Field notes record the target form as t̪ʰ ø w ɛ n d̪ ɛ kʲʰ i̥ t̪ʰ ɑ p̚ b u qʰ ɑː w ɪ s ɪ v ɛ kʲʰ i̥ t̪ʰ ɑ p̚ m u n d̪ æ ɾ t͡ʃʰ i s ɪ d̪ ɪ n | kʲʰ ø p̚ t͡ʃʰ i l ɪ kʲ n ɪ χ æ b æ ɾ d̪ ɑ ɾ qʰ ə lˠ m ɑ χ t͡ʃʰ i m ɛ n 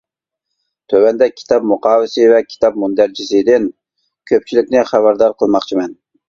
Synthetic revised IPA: t̪ʰ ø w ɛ n d̪ ɛ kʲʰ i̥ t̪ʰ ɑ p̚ m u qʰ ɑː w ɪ s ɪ v ɛ kʲʰ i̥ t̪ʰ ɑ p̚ m u n d̪ æ ɾ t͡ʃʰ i s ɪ d̪ ɪ n | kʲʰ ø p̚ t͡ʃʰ i l ɪ kʲ n ɪ χ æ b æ ɾ d̪ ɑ ɾ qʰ ə lˠ m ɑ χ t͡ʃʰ i m ɛ n